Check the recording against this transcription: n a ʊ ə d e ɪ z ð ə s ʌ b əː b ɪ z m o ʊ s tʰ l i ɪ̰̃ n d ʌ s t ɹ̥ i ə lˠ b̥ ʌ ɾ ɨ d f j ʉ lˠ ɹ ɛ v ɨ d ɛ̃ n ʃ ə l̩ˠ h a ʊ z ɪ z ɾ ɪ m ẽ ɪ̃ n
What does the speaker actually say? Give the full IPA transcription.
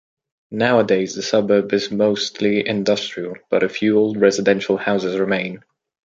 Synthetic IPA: n a ʊ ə d e ɪ z ð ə s ʌ b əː b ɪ z m o ʊ s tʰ l i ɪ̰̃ n d ʌ s t ɹ̥ i ə lˠ b̥ ʌ ɾ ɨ f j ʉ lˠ ɹ ɛ z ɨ d ɛ̃ n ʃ ə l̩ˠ h a ʊ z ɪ z ɹ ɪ m ẽ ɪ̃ n